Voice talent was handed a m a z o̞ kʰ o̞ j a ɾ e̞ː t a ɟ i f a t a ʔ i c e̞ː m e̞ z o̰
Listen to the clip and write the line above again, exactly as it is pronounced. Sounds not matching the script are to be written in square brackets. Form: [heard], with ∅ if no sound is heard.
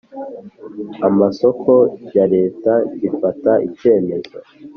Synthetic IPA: a m a [s] o̞ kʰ o̞ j a ɾ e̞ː t a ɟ i f a t a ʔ i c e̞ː m e̞ z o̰